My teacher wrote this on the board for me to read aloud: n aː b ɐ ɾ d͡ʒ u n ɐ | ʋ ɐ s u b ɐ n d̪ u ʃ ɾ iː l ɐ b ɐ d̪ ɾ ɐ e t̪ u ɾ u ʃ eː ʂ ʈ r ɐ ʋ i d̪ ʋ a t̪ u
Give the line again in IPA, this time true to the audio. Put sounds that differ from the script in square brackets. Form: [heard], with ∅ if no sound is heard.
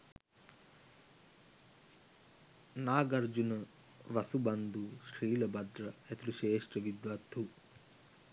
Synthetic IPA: n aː [ɡ] ɐ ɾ d͡ʒ u n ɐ | ʋ ɐ s u b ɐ n d̪ u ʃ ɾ iː l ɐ b ɐ d̪ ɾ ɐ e t̪ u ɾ u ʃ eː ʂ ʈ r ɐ ʋ i d̪ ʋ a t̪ u